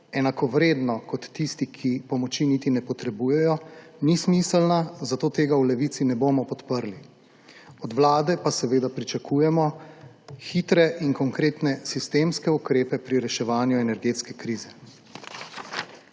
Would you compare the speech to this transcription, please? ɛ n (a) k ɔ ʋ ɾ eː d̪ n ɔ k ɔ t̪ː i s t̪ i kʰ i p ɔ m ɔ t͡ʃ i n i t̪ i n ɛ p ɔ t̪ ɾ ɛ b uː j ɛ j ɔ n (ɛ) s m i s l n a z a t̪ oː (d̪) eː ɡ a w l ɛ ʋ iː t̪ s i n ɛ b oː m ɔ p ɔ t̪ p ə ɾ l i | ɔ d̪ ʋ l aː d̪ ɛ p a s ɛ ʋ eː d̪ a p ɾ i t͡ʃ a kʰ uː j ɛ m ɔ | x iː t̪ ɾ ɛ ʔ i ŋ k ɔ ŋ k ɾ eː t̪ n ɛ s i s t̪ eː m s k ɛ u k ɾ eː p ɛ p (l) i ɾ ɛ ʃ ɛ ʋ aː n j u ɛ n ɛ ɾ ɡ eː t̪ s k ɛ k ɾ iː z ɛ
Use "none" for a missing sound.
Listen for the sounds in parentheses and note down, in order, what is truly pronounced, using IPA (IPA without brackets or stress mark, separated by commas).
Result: a, i, t̪, ɾ